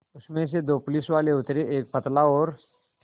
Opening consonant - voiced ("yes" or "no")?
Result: no